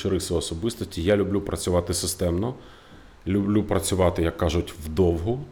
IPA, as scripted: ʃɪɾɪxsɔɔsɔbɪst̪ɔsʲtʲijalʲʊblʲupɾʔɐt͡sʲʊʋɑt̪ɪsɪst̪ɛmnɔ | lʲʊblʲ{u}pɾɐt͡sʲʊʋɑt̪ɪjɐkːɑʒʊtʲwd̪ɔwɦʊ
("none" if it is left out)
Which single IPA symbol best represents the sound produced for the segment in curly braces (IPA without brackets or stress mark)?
u